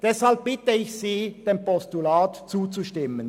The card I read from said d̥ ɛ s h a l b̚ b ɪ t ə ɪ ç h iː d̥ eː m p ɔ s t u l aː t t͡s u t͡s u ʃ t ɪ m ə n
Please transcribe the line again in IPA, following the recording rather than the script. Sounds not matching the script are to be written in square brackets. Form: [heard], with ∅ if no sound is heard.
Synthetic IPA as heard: d̥ ɛ s h a l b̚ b ɪ t ə ɪ ç [s] iː d̥ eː m p ɔ s t u l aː t t͡s [uː] t͡s u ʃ t ɪ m ə n